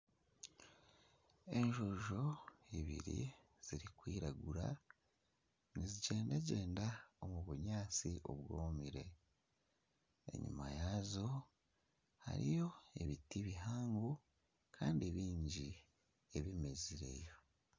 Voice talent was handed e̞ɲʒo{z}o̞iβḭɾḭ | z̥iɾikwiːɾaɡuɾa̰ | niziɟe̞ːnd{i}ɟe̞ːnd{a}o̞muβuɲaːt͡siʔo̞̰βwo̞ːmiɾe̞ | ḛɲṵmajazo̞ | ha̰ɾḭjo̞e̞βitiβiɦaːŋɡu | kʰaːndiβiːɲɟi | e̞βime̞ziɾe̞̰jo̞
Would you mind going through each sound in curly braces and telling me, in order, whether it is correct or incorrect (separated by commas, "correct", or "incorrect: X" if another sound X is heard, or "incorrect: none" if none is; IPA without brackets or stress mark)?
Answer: incorrect: ʒ, incorrect: a, correct